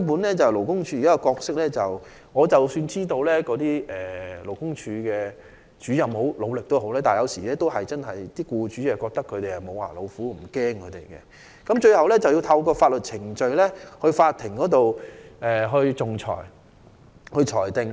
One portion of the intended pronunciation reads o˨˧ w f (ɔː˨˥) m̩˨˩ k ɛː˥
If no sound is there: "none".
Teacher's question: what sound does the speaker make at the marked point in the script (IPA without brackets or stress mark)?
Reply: uː˨˥